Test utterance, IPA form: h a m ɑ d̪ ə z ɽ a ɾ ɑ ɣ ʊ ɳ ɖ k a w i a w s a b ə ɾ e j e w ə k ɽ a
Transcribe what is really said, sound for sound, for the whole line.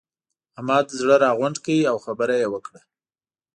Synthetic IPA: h a m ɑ d̪ ə z ɽ ə ɾ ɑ ɣ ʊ ɳ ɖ k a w i a w x a b ə ɾ a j e w ə k ɽ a